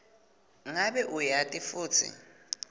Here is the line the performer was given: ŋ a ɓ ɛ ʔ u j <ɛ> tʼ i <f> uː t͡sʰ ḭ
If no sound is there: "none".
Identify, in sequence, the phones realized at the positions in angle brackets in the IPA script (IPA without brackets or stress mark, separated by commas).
a, f